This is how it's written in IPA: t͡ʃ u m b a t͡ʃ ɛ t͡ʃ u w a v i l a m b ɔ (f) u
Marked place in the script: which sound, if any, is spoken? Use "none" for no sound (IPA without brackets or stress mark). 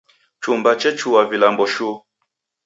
ʃ